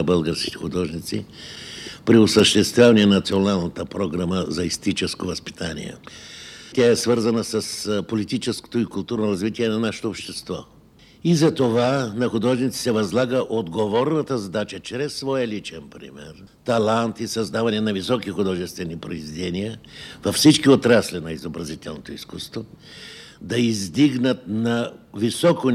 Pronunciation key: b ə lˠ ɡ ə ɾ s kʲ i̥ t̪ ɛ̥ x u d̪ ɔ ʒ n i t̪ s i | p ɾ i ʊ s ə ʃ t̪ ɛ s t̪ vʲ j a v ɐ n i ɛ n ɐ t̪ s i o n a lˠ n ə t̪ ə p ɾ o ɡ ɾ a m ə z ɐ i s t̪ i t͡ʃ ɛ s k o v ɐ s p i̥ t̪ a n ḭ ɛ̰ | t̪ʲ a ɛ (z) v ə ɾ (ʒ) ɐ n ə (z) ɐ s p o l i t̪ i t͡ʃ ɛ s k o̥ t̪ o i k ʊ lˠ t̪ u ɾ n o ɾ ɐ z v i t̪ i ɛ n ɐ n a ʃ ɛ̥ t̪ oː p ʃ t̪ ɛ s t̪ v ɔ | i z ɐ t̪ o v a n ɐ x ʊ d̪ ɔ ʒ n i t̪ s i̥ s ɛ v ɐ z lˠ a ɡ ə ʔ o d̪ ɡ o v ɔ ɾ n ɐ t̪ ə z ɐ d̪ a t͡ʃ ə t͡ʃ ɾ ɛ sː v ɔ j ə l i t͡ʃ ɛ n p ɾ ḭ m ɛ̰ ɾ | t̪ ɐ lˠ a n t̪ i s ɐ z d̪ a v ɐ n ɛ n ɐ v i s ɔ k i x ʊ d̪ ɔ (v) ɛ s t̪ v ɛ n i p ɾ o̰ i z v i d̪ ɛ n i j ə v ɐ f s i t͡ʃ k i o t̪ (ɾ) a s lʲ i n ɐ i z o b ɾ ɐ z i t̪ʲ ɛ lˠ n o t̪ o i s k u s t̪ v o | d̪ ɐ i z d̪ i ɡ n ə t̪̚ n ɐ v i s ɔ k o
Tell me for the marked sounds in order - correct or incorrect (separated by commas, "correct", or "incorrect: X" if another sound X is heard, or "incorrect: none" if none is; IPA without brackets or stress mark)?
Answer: incorrect: s, incorrect: z, incorrect: s, incorrect: ʒ, correct